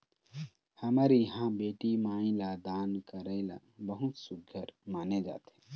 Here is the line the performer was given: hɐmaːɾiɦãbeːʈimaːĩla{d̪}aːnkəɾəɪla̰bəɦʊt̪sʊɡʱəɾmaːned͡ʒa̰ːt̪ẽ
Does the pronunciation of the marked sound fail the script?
no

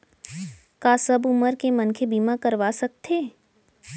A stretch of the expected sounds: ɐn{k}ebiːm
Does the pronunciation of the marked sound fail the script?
yes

